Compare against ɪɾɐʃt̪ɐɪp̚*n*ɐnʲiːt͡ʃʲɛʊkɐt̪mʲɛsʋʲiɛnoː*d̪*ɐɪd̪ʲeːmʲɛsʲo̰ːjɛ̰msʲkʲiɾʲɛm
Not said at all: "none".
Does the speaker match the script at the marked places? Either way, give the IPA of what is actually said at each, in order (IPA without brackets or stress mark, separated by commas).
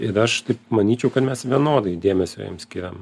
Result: m, d̪